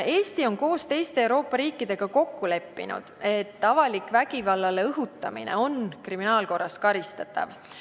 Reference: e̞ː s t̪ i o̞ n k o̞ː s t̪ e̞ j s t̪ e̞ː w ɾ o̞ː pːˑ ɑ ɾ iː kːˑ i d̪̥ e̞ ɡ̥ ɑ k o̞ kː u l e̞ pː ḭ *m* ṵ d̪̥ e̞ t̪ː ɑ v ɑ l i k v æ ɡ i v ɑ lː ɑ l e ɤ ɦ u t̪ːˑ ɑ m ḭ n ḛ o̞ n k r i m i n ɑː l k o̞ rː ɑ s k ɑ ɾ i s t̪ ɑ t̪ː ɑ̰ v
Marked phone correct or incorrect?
incorrect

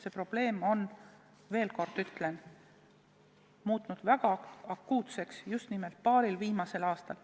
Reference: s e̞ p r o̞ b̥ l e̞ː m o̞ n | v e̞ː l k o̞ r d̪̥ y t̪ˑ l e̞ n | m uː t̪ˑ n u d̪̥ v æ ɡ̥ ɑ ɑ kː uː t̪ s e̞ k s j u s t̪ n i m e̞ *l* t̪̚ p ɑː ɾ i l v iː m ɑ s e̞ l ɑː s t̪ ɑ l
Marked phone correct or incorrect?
correct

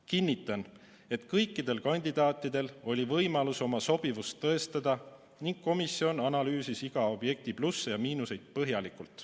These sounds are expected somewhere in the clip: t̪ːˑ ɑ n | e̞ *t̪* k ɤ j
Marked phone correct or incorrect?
correct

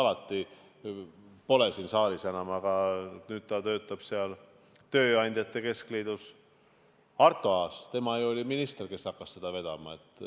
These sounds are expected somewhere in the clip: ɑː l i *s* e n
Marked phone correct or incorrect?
correct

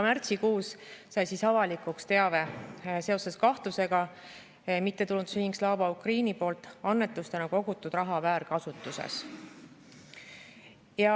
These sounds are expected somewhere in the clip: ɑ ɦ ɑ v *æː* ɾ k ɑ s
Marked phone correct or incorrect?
correct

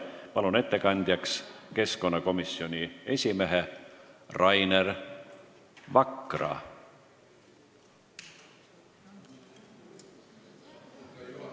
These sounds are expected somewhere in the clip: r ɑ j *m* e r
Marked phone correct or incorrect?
incorrect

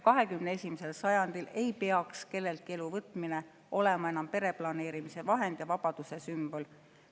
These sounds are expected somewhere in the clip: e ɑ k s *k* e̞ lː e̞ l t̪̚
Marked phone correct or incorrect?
correct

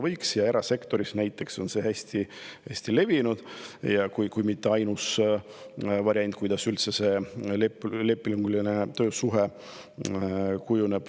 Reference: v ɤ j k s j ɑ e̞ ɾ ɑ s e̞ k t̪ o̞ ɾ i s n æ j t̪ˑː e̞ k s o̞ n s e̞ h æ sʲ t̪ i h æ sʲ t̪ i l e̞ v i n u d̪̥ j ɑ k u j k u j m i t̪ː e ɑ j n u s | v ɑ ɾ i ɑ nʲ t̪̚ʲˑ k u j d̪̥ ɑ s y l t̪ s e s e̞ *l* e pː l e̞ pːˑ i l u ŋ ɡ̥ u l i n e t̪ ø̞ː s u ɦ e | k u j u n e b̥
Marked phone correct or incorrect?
correct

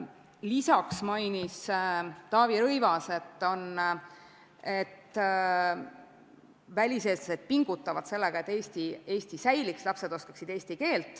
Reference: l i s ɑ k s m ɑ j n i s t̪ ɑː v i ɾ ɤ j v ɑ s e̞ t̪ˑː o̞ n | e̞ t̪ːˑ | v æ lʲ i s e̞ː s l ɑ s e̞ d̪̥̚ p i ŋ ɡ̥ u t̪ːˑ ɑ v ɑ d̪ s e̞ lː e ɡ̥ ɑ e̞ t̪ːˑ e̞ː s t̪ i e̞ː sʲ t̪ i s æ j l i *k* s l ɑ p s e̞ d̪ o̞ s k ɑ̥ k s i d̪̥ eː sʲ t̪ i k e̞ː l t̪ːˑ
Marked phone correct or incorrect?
correct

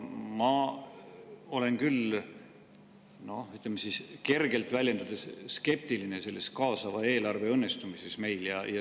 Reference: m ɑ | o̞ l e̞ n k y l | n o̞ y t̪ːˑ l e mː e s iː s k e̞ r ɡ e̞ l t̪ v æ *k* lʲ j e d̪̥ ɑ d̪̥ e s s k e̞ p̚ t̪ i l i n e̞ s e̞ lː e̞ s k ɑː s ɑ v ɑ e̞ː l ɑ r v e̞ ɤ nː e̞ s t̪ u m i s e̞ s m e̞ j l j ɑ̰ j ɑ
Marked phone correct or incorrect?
incorrect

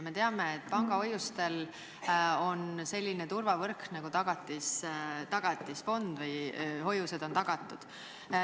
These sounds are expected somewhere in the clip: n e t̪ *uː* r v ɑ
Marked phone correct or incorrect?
incorrect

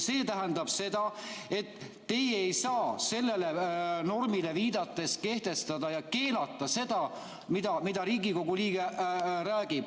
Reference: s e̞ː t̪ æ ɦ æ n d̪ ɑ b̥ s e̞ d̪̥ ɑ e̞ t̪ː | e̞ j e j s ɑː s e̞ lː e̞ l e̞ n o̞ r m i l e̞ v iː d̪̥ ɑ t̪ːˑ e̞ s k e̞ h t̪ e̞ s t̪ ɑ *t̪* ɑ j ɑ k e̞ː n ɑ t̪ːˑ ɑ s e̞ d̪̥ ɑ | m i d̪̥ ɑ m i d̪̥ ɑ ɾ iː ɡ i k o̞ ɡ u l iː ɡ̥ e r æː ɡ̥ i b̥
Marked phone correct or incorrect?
incorrect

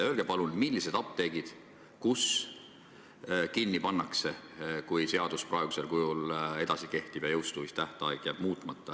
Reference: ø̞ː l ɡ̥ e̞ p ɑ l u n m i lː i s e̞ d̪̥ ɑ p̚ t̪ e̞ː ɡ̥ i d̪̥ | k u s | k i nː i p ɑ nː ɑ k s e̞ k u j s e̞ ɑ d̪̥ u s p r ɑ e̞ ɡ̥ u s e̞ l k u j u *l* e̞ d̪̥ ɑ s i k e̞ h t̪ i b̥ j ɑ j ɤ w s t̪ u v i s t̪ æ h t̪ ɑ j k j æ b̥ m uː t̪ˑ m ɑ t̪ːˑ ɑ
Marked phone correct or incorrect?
correct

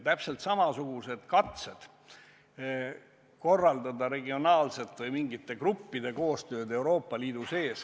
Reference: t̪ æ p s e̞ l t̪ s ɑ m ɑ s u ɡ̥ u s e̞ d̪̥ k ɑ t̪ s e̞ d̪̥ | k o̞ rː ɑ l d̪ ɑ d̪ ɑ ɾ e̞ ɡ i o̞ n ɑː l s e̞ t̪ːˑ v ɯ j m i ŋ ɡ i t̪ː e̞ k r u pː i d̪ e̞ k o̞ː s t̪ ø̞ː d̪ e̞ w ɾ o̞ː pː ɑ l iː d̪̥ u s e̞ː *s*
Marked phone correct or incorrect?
correct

